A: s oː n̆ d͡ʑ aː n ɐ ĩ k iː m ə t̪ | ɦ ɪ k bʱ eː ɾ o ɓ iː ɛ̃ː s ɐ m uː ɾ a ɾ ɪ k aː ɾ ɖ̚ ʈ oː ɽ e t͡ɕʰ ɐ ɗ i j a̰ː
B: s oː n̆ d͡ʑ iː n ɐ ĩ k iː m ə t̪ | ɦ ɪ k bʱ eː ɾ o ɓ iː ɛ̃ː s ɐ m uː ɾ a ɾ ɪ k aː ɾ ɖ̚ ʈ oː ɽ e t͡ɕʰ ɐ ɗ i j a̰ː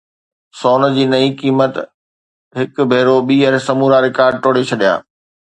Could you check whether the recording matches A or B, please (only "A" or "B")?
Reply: B